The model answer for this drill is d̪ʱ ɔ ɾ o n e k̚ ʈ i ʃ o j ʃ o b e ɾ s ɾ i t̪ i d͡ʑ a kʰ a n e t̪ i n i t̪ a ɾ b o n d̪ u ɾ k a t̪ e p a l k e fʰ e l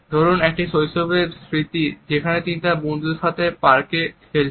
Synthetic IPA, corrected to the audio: d̪ʱ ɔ ɾ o n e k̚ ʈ i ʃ o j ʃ o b e ɾ s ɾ i t̪ i d͡ʑ e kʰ a n e t̪ i n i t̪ a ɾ b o n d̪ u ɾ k a t̪ e p a ɾ k e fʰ e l